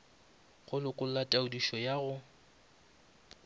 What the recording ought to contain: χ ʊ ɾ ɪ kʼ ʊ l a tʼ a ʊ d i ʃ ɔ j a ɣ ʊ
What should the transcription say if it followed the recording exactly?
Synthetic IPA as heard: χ ʊ l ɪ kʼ ʊ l a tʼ a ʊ d i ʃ ɔ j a ɣ ʊ